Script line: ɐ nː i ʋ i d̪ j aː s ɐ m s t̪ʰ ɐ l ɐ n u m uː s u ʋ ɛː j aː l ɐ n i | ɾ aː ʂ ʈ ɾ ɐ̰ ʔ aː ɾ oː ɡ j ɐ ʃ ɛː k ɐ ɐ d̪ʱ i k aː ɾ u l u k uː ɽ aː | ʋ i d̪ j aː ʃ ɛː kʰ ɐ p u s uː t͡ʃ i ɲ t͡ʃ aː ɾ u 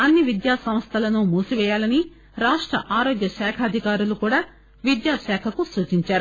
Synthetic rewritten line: ɐ nː i ʋ i d̪ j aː s ɐ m s t̪ʰ ɐ l ɐ n u m uː s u ʋ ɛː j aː l ɐ n i | ɾ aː ʂ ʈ ɾ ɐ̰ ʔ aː ɾ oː ɡ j ɐ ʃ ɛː kʰ ɐ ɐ d̪ʱ i k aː ɾ u l u k uː ɽ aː | ʋ i d̪ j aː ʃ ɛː kʰ ɐ k u s uː t͡ʃ i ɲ t͡ʃ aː ɾ u